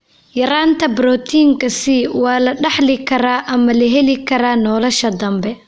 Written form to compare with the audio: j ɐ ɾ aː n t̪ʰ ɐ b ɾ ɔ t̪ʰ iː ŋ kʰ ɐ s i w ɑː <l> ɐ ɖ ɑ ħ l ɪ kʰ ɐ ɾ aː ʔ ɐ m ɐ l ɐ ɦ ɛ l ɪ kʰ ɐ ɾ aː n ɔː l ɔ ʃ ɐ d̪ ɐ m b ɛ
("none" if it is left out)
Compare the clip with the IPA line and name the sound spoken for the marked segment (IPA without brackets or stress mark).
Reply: l